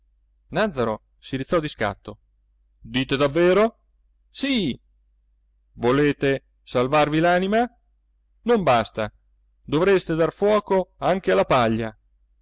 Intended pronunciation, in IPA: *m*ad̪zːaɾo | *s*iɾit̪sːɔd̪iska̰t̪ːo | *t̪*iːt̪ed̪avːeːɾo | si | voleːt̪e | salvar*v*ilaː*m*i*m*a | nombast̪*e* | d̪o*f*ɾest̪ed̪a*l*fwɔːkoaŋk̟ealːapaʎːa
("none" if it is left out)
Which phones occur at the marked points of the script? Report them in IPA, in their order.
n, s, d̪, v, n, m, a, v, r

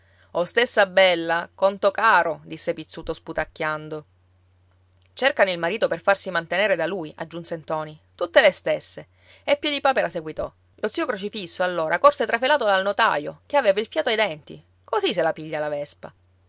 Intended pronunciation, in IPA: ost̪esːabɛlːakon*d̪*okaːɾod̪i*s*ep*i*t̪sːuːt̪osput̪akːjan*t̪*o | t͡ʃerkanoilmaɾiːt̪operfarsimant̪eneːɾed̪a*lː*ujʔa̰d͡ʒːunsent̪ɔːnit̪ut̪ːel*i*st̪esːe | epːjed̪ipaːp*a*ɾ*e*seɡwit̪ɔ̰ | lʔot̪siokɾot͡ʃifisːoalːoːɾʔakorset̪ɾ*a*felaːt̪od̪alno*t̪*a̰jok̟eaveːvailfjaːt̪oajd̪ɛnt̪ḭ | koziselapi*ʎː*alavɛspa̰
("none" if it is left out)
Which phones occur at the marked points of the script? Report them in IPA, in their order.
t̪, sː, i, d̪, l, e, e, a, a, t̪, ʎː

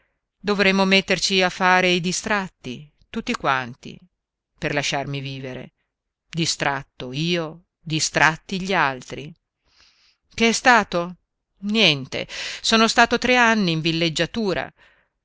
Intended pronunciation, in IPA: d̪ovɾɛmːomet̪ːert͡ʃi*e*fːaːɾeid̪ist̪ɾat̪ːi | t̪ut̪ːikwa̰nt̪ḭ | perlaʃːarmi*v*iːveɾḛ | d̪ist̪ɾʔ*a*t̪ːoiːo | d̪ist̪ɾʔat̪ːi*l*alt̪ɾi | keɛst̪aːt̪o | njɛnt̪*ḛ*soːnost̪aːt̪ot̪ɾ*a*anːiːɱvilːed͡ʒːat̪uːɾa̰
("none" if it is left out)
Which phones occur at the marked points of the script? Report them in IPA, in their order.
a, v, a, ʎ, ḛ, e

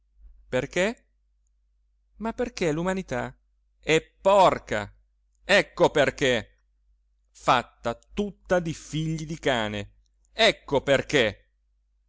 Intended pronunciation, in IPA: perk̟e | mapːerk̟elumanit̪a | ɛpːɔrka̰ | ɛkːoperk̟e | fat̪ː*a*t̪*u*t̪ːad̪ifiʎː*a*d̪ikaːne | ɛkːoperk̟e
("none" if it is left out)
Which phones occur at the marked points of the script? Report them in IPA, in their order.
a, u, i

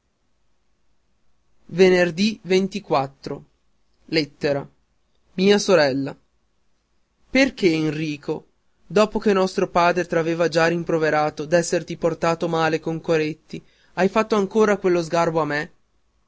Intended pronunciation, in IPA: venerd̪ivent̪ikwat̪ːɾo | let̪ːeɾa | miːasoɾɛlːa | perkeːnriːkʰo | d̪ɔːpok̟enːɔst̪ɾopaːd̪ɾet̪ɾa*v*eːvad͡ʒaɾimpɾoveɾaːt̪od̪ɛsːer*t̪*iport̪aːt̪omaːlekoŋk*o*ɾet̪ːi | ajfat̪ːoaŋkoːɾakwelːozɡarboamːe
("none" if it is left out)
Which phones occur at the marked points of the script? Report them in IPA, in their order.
v, t̪, o

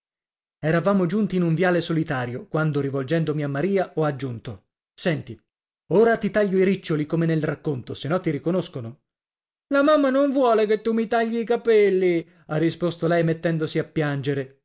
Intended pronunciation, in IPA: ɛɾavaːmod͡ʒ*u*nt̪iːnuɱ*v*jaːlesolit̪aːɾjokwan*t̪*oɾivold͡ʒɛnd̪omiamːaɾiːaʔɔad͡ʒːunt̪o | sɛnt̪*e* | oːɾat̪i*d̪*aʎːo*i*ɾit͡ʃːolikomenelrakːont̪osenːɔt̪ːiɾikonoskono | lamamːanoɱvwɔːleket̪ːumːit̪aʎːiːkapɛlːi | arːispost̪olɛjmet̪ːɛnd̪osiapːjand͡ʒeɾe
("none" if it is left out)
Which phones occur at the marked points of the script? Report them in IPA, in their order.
u, v, d̪, i, t̪, i

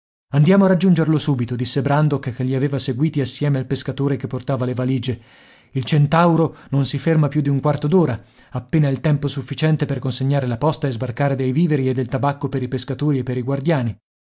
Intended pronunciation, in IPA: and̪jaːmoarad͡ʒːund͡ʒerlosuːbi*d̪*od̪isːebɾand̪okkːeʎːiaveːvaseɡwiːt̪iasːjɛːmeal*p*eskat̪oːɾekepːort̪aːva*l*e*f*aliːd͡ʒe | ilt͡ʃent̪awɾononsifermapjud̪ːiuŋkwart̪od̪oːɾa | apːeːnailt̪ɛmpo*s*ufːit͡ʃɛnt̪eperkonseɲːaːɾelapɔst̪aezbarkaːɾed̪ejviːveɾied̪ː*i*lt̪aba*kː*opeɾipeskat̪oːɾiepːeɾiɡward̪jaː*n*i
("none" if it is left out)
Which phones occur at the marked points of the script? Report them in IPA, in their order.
t̪, p, l, v, s, e, kː, n

